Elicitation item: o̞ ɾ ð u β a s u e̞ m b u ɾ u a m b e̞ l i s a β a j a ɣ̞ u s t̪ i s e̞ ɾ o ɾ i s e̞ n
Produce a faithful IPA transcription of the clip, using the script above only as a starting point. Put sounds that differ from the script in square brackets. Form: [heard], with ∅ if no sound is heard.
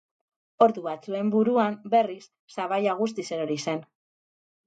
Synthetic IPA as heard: o̞ ɾ ð u β a [t͡s] u e̞ m b u ɾ u a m b e̞ [r] i [sː] a β a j a ɣ̞ u s t̪ i s e̞ ɾ o ɾ i s e̞ n